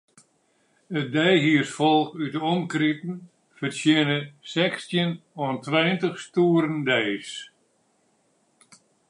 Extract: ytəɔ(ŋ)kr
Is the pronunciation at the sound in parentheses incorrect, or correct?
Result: incorrect